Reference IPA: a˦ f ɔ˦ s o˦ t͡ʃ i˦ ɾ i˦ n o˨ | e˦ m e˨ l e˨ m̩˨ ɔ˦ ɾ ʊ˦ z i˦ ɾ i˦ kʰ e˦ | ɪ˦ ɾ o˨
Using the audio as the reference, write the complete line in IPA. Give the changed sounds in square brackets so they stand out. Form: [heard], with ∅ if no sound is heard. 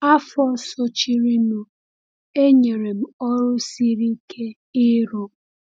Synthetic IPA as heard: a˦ f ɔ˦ s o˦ t͡ʃ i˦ ɾ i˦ n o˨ | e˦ [ɲ] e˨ [ɾ] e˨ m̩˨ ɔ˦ ɾ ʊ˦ [s] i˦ ɾ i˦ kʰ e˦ | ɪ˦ ɾ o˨